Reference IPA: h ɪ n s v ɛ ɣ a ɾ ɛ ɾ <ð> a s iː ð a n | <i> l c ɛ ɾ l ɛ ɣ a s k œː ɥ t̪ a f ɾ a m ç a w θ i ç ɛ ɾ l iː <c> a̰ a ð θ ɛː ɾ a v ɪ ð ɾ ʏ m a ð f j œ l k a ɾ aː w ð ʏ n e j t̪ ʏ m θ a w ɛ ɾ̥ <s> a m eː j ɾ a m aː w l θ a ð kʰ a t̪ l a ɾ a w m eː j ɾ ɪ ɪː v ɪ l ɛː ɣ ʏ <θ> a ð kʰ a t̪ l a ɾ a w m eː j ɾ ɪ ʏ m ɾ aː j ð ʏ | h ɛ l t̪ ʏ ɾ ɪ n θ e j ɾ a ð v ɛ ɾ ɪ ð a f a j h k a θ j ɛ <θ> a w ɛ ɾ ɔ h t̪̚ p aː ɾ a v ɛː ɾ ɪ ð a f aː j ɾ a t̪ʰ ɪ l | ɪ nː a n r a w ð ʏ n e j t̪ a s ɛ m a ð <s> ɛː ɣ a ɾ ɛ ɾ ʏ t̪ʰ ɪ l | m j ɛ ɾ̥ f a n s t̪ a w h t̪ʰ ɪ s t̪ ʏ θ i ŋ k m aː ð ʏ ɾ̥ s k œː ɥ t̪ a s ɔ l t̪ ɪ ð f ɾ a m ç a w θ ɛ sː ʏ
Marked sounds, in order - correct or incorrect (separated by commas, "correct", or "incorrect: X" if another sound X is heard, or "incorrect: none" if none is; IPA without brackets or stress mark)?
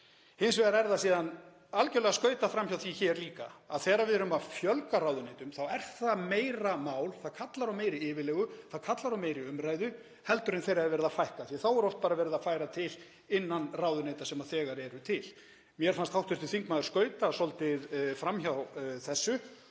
correct, incorrect: a, incorrect: k, incorrect: θ, correct, correct, incorrect: θ